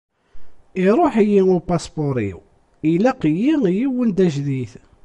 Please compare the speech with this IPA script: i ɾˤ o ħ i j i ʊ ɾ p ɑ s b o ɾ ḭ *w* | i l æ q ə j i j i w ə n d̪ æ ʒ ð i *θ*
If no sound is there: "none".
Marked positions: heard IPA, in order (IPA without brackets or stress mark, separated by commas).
w, θ